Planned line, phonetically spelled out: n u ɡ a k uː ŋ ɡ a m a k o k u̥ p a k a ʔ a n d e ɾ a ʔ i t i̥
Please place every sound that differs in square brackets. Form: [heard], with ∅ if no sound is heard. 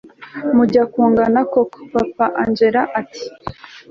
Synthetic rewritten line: [m] u [ɟ] a k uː ŋ ɡ a [n] a k o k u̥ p a [p] a ʔ a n [d͡ʒ] e ɾ a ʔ [a] t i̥